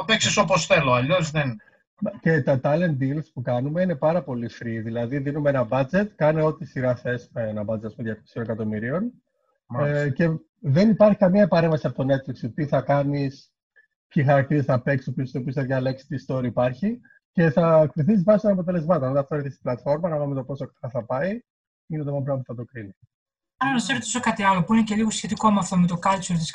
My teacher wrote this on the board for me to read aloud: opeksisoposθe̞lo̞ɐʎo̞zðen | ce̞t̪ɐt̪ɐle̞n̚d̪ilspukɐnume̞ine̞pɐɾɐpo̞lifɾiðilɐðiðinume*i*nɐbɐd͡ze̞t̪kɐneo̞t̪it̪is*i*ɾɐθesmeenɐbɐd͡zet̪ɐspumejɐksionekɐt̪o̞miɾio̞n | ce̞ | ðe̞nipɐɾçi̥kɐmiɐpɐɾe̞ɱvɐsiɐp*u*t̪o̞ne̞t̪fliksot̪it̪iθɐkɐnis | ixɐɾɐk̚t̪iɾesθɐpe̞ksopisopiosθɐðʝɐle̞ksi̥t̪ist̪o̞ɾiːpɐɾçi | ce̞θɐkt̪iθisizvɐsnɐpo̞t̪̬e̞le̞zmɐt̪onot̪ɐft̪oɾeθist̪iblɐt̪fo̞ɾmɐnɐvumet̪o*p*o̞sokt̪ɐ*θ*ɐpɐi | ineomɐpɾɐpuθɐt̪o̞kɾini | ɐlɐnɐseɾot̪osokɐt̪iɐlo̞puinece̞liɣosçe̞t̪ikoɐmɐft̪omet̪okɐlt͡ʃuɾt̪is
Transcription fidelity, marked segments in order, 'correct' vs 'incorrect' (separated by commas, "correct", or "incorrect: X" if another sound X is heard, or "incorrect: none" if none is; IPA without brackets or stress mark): incorrect: e, correct, incorrect: o, correct, correct